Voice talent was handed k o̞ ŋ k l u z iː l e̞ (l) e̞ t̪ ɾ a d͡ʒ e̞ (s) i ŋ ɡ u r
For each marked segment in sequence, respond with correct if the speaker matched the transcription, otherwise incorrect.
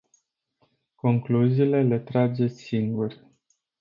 correct, correct

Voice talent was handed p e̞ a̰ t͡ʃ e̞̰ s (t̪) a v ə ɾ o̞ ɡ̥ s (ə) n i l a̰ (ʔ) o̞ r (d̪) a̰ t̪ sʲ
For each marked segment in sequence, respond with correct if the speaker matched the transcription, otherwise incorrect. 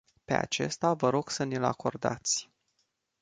correct, correct, incorrect, correct

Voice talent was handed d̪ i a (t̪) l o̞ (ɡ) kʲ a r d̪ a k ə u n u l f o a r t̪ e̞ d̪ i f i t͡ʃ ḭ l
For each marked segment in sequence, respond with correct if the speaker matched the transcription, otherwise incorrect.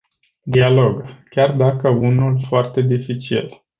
incorrect, correct

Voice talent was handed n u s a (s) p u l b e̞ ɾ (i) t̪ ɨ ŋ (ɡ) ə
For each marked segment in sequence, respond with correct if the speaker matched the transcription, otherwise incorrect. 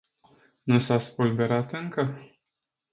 correct, incorrect, incorrect

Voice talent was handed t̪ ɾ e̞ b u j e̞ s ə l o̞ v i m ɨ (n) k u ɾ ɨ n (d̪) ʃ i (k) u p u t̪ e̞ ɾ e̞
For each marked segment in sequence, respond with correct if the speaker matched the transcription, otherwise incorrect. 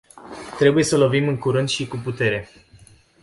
incorrect, correct, correct

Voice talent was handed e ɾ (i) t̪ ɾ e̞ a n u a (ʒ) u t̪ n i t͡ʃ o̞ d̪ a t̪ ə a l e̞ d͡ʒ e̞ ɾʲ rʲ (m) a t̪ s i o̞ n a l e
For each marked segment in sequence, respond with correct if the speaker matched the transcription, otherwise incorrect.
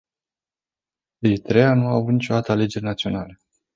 correct, incorrect, incorrect

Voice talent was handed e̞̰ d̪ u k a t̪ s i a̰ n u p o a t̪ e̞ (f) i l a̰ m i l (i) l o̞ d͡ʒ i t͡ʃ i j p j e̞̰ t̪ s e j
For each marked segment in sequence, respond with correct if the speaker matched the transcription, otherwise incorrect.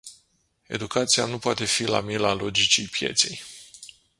correct, incorrect

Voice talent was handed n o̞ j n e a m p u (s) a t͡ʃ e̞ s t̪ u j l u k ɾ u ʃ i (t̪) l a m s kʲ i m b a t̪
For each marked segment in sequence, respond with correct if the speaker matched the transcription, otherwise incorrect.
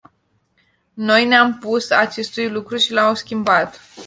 correct, incorrect

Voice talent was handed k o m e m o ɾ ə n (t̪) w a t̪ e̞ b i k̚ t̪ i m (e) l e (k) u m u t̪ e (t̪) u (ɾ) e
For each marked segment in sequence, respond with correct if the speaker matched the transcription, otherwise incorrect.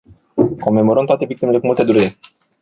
correct, correct, correct, incorrect, correct

